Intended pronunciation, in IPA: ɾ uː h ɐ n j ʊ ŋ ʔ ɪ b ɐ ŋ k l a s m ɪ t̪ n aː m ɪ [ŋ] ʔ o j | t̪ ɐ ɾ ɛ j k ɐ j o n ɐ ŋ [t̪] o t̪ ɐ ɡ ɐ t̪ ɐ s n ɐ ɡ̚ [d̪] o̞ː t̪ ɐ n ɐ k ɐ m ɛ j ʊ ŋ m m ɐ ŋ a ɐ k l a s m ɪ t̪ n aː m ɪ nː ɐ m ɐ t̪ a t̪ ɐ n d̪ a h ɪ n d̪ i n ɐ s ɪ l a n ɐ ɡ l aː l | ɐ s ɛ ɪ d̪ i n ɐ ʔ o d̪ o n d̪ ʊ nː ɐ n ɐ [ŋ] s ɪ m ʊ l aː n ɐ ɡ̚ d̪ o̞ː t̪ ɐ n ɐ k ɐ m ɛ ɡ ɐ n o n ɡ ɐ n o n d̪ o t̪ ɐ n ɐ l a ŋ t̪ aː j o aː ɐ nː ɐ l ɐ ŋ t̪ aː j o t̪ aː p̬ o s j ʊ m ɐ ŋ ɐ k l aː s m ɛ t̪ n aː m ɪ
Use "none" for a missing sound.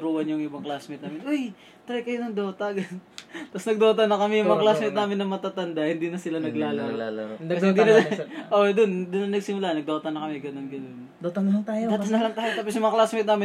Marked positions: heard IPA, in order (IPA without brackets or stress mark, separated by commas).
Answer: n, d̪, d̪, ɡ